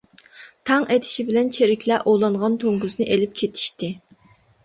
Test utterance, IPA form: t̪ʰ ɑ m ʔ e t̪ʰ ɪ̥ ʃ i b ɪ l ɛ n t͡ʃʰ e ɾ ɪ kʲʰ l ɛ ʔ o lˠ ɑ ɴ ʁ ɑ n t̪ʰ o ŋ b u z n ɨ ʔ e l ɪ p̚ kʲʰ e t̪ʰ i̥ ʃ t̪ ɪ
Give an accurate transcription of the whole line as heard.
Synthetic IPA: t̪ʰ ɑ ŋ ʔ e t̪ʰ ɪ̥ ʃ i b ɪ l ɛ n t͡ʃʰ e ɾ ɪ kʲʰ l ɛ ʔ o lˠ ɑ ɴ ʁ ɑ n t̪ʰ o ŋ ɡ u z n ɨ ʔ e l ɪ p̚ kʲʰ e t̪ʰ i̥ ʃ t̪ ɪ